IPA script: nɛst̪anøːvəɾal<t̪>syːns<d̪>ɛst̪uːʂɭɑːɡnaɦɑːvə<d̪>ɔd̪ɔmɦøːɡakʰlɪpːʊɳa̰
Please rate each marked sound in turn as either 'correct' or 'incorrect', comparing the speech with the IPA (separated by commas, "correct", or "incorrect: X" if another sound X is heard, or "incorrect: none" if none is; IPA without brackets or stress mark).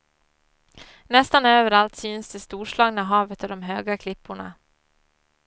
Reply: correct, correct, incorrect: t̪